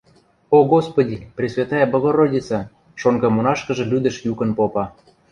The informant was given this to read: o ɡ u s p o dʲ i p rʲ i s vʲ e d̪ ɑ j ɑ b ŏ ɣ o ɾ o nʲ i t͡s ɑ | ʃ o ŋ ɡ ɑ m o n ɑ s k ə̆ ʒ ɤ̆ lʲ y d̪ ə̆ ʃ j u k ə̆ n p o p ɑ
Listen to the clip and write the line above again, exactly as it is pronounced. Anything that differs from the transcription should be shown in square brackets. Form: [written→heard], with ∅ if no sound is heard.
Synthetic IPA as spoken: o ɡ [u→o] s p o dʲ i p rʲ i s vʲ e [d̪→t̪] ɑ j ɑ b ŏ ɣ o ɾ o [nʲ→dʲ] i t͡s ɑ | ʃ o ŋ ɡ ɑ m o n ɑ [s→ʃ] k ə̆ ʒ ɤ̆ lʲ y d̪ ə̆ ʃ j u k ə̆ n p o p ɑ